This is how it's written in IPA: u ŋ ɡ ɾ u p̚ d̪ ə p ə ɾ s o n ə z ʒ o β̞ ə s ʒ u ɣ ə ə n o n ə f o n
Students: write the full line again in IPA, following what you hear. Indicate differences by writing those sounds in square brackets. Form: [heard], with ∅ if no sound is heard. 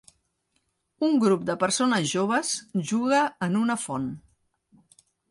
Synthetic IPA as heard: u ŋ ɡ ɾ u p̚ d̪ ə p ə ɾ s o n ə z ʒ o β̞ ə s ʒ u ɣ ə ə n [u] n ə f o n